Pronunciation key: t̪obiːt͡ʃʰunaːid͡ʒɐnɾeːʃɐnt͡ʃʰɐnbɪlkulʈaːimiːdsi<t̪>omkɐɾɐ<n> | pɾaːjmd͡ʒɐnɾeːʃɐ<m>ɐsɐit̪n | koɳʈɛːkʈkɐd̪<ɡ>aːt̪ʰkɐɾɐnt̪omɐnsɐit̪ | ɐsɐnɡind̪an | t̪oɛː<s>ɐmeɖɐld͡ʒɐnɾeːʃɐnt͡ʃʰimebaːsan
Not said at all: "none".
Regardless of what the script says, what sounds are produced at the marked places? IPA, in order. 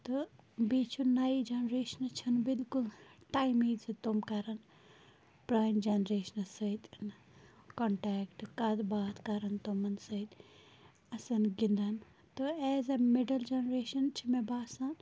t̪, n, n, b, z

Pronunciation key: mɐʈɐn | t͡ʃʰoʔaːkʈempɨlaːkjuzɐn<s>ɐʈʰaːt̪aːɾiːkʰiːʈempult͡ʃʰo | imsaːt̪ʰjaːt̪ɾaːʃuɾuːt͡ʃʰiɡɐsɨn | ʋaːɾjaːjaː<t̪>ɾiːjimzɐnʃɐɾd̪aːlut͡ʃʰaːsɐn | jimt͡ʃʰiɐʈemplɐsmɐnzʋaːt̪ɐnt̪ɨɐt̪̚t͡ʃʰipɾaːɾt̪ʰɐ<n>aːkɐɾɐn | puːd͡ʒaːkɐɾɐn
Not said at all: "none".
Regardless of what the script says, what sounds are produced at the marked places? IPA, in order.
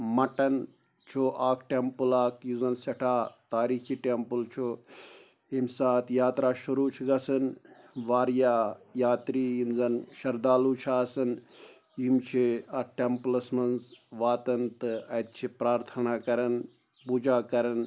s, t̪, n

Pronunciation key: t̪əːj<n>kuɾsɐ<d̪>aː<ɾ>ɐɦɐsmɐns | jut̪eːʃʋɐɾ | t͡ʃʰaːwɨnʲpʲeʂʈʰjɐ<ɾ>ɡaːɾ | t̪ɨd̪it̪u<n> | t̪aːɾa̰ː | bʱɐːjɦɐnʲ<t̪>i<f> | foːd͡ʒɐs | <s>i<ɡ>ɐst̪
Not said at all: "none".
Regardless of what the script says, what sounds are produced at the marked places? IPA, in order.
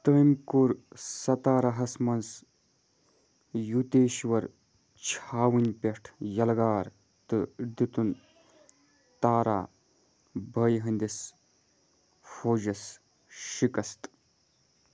m, t̪, ɾ, l, n, d̪, s, ʃ, k

